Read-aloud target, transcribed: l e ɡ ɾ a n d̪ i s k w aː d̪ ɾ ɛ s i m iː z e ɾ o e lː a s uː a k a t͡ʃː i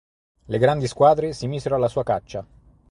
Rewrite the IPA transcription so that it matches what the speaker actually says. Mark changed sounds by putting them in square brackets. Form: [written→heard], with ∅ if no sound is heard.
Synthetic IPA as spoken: l e ɡ ɾ a n d̪ i s k w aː d̪ ɾ [ɛ→e] s i m iː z e ɾ o [e→a] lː a s uː a k a t͡ʃː [i→a]